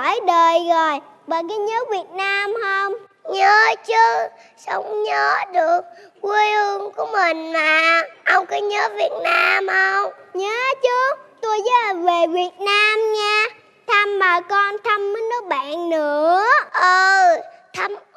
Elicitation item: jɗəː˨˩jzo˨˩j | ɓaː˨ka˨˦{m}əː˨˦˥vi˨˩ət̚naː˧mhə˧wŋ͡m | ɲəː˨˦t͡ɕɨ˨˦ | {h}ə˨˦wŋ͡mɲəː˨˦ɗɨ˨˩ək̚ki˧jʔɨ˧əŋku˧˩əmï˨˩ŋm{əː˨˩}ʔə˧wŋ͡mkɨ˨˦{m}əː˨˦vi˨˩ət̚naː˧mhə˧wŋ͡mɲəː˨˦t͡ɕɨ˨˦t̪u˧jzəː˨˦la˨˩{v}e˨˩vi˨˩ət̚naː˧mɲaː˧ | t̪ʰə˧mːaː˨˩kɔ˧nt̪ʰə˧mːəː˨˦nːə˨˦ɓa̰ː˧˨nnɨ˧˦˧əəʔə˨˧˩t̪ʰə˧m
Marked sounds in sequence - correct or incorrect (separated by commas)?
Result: incorrect, incorrect, incorrect, incorrect, correct